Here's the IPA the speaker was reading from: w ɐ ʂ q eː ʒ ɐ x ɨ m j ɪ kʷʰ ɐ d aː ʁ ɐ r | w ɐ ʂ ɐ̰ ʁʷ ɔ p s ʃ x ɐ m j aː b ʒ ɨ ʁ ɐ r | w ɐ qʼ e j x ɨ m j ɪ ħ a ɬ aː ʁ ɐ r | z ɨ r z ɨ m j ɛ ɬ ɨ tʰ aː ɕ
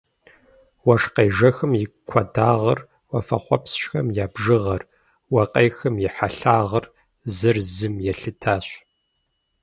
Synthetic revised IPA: w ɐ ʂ q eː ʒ ɐ x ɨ m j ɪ kʷʰ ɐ d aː ʁ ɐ r | w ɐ f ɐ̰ χʷ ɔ p s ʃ x ɐ m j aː b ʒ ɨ ʁ ɐ r | w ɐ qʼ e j x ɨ m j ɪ ħ a ɬ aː ʁ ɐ r | z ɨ r z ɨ m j ɛ ɬ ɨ tʰ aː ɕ